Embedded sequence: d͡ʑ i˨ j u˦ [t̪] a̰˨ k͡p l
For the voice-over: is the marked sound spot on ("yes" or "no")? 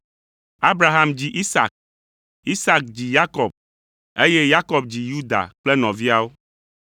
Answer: no